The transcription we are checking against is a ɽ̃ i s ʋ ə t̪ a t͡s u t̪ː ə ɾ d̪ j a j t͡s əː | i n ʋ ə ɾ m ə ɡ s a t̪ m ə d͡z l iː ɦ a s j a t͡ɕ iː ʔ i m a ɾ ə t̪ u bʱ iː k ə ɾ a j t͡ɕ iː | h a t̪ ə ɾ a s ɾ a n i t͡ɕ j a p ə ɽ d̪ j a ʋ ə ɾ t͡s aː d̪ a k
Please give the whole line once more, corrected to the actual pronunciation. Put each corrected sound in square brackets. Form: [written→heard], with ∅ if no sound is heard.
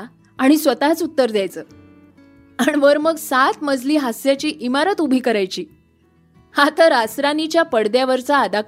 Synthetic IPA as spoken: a ɽ̃ i s ʋ ə t̪ a t͡s u t̪ː ə ɾ d̪ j a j t͡s əː | [i→a] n ʋ ə ɾ m ə ɡ s a t̪ m ə d͡z l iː ɦ a s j a t͡ɕ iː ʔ i m a ɾ ə t̪ u bʱ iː k ə ɾ a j t͡ɕ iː | h a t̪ ə ɾ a s ɾ a n i t͡ɕ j a p ə ɽ d̪ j a ʋ ə ɾ t͡s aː d̪ a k